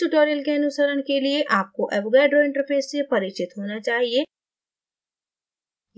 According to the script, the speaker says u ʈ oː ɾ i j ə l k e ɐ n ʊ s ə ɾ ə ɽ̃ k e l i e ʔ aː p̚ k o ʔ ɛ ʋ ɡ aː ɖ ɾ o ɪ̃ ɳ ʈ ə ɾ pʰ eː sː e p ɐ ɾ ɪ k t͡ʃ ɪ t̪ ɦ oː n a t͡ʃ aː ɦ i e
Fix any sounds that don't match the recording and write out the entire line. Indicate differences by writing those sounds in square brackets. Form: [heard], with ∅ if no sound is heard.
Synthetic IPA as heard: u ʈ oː ɾ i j ə l k e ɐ n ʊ s ə ɾ ə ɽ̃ k e l i e ʔ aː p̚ k o ʔ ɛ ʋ ɡ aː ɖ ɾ o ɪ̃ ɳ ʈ ə ɾ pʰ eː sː e p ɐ ɾ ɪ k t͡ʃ ɪ t̪ ɦ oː n a t͡ʃ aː ɦ i e